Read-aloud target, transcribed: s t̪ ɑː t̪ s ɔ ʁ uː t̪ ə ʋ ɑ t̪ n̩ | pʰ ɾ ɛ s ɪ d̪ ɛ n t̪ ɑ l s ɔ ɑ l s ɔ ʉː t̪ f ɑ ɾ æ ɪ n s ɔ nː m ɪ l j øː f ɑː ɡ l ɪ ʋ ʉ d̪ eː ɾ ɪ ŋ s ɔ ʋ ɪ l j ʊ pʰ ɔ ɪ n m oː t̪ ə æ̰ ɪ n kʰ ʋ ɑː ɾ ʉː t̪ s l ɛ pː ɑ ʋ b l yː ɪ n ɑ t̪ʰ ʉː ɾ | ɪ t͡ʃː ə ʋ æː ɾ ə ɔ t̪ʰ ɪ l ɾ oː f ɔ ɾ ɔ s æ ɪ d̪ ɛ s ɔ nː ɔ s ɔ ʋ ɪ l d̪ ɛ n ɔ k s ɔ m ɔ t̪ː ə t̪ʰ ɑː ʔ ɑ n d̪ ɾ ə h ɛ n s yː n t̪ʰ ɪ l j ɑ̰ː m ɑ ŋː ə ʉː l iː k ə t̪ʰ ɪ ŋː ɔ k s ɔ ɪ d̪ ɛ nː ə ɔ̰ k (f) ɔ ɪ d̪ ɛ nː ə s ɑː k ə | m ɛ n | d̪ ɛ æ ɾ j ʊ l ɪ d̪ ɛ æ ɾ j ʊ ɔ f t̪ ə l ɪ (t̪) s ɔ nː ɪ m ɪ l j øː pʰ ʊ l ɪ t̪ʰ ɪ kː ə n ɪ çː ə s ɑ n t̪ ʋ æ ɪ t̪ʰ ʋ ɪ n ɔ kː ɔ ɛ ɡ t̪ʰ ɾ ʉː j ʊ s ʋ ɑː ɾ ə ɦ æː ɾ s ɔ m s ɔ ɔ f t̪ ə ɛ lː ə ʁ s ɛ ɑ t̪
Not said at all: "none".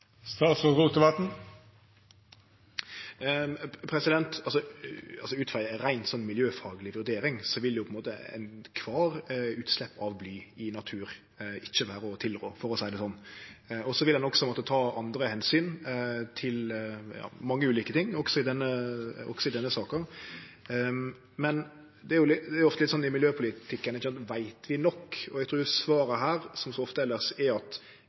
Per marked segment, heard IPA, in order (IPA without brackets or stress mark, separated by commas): s, t̪